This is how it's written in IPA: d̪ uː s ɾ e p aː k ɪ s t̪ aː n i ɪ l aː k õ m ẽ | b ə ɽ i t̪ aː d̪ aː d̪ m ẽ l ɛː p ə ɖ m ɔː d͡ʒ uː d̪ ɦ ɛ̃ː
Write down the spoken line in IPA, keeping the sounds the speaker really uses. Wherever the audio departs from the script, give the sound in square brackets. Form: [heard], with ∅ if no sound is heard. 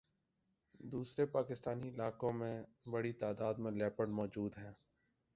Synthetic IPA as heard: d̪ uː s ɾ e p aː k ɪ s t̪ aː n i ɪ l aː k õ m ẽ | b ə ɽ i t̪ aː d̪ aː d̪ m ẽ l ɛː p ə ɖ m ɔː d͡ʒ uː d̪ ɦ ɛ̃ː

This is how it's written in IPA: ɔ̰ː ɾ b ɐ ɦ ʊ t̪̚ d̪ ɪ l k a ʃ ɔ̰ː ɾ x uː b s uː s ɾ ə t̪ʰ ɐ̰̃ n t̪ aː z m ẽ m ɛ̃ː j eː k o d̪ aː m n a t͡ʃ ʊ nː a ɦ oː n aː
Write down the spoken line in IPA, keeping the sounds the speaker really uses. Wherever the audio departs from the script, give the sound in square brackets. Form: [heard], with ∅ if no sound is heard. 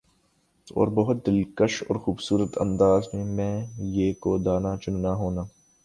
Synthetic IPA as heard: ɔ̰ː ɾ b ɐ ɦ ʊ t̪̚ d̪ ɪ l k [ə] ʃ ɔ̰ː ɾ x uː b s uː [∅] ɾ ə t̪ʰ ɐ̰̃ n [d̪] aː z m ẽ m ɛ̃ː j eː k o d̪ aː [∅] n a t͡ʃ ʊ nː a ɦ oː n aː

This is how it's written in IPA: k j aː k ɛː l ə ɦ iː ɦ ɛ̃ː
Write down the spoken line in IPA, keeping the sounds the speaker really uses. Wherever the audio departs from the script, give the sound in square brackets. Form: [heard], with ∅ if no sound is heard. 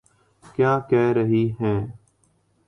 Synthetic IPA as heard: k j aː k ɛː [ɾ] ə ɦ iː ɦ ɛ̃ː

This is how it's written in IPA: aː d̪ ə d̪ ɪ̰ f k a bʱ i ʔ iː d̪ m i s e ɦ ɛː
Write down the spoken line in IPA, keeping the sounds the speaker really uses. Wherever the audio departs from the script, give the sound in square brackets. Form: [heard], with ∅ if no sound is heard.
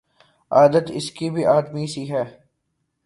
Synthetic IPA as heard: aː d̪ ə [t̪] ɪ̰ [s] k [i] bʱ i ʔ [aː] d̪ m i s [i] ɦ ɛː

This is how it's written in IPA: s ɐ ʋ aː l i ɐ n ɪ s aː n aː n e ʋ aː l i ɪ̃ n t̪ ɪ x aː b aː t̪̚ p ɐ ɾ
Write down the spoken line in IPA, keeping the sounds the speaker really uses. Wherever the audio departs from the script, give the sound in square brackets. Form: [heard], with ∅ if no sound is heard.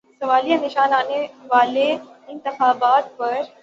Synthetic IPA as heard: s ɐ ʋ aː l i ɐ n ɪ [ʃ] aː n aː n e ʋ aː l [e] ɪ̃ n t̪ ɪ x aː b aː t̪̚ p ɐ ɾ

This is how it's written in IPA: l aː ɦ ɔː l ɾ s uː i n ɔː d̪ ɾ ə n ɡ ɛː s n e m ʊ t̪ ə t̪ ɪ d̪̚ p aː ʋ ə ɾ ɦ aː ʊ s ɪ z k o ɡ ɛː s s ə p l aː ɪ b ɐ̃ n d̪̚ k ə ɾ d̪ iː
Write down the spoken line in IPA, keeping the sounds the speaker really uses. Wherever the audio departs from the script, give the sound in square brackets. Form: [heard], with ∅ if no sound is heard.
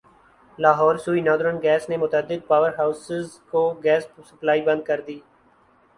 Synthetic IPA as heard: l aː ɦ ɔː [∅] ɾ s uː i n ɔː d̪ ɾ ə n ɡ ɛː s n e m ʊ t̪ ə [d̪] ɪ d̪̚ p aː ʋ ə ɾ ɦ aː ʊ s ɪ z k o ɡ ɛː s s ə p l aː [i] b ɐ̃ n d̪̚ k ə ɾ d̪ iː

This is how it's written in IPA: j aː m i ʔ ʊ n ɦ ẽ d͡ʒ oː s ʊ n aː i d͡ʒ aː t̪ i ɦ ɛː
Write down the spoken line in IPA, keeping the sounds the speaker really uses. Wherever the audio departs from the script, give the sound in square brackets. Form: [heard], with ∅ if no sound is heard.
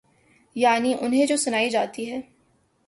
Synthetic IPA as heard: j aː [n] i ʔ ʊ n ɦ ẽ d͡ʒ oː s ʊ n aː i d͡ʒ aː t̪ i ɦ ɛː

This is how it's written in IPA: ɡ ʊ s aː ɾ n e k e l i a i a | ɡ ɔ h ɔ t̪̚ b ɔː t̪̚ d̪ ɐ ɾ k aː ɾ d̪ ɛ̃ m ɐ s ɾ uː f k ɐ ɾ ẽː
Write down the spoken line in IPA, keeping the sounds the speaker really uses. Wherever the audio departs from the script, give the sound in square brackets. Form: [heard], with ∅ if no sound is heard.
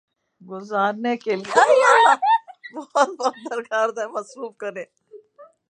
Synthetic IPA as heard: ɡ ʊ [z] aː ɾ n e k e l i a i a | [b] ɔ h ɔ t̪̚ b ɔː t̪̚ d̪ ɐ ɾ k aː ɾ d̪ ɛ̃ m ɐ s ɾ uː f k ɐ ɾ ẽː

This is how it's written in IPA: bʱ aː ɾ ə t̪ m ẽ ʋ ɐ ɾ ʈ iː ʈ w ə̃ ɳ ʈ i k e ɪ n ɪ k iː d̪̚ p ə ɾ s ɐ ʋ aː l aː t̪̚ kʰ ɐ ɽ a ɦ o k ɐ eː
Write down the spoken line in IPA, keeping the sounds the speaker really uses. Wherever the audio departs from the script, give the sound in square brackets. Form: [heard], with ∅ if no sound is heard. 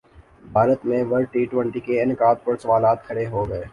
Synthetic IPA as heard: bʱ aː ɾ ə t̪ m ẽ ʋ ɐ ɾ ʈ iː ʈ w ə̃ ɳ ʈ i k e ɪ n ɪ k [aː] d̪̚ p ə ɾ s ɐ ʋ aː l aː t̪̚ kʰ ɐ ɽ [e] ɦ o [ɡ] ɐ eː

